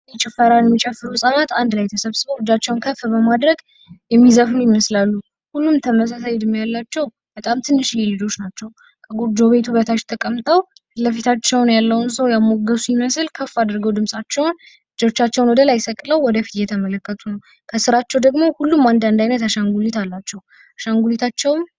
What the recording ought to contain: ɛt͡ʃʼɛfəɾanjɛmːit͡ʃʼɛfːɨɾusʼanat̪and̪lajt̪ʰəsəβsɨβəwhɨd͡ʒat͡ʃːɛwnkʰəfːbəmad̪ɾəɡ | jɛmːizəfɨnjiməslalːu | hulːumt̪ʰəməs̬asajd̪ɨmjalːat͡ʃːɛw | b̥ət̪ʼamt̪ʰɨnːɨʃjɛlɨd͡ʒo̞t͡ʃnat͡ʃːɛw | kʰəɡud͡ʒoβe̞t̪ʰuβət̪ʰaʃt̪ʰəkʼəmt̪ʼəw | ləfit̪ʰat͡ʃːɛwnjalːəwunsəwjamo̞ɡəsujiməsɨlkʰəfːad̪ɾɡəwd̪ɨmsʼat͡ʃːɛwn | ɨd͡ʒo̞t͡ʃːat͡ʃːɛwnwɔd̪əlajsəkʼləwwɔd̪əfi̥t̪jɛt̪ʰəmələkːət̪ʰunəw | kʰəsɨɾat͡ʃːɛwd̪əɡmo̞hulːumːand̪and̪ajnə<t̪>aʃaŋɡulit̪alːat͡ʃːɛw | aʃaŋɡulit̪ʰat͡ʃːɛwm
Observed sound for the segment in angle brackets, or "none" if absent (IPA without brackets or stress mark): t̪